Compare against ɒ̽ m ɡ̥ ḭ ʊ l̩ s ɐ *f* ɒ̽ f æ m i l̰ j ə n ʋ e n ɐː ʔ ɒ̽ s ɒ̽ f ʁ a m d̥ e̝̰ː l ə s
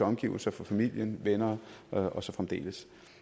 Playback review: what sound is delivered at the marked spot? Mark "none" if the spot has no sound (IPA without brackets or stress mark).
f